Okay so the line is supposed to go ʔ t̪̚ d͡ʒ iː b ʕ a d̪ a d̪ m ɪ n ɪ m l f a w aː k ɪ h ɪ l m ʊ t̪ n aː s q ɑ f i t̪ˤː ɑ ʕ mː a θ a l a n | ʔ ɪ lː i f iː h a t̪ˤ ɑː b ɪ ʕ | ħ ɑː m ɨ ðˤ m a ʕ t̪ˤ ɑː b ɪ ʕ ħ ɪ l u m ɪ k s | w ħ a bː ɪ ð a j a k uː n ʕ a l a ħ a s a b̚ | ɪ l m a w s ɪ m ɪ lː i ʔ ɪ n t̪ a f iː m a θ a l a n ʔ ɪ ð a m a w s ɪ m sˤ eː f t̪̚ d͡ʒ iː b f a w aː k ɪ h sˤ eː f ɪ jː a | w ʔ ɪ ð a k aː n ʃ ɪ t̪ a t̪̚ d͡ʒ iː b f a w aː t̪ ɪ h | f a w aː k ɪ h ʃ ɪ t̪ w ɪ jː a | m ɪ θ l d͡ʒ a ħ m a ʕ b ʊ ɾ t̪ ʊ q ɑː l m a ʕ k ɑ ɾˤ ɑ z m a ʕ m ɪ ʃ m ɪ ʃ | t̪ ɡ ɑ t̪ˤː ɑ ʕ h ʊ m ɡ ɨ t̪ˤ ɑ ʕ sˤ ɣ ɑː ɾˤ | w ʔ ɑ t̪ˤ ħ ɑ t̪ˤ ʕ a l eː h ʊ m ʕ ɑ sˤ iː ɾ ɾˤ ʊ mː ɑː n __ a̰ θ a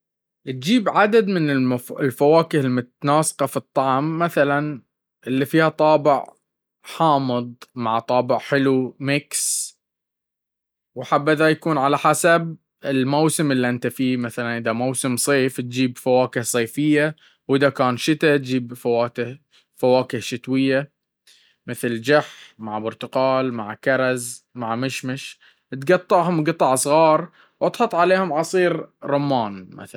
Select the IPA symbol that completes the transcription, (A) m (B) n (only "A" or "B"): A